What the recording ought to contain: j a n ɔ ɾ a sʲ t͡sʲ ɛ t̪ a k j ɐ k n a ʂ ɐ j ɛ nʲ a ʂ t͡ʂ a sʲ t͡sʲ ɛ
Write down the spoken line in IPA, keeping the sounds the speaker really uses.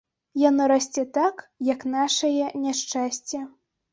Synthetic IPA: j a n ɔ ɾ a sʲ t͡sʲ ɛ t̪ a k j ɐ k n a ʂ ɐ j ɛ nʲ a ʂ t͡ʂ a sʲ t͡sʲ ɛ